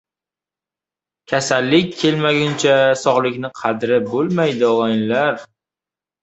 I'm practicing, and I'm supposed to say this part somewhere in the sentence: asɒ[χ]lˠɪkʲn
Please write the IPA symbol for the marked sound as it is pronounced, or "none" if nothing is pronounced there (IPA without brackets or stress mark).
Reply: ʁ